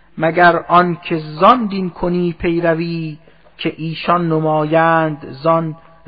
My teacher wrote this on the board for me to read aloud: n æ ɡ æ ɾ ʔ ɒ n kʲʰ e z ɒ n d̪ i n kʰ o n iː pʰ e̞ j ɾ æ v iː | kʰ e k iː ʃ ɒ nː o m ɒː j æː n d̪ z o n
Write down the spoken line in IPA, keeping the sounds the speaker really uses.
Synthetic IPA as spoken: m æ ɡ æ ɾ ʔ ɒ n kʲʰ e z ɒ n d̪ i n kʰ o n iː pʰ e̞ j ɾ æ v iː | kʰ e ʔ iː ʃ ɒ nː o m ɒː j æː n d̪ z ɒ n